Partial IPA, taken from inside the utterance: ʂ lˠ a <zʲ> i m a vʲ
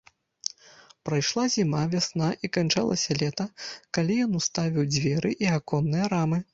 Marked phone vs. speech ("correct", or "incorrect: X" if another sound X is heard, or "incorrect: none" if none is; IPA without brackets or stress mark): correct